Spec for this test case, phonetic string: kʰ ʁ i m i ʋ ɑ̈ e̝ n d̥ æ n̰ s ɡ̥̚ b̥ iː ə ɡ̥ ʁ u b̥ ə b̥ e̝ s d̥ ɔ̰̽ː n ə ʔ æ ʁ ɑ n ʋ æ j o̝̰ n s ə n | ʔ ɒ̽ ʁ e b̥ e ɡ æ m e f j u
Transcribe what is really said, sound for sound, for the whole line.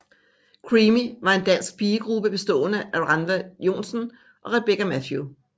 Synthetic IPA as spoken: kʰ ʁ i m i ʋ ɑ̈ e̝ n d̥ æ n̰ s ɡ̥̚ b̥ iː ə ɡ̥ ʁ u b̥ ə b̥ e̝ s d̥ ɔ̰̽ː n ə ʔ æ ʁ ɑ n ʋ æ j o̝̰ n s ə n | ʔ ɒ̽ ʁ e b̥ e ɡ æ m æ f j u